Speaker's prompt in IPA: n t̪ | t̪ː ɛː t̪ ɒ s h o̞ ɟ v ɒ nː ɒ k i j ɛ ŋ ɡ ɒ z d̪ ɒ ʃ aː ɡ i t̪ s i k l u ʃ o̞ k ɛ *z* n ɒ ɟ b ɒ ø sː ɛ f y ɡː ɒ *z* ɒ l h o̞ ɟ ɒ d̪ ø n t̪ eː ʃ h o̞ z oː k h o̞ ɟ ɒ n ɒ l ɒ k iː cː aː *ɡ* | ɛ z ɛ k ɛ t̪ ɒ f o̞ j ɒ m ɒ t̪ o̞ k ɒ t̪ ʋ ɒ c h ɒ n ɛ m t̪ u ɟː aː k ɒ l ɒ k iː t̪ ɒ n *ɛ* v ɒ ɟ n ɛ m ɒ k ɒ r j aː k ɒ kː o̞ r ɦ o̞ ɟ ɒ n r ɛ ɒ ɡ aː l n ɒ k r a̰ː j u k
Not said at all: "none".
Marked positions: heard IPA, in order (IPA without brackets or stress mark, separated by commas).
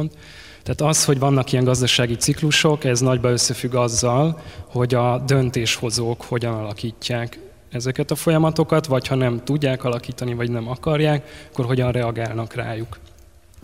z, zː, k, i